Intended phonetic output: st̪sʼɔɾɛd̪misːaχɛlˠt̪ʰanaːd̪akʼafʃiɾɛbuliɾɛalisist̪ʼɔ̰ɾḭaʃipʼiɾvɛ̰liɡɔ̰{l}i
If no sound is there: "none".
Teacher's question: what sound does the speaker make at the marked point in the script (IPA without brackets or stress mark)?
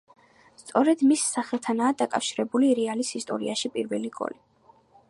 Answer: l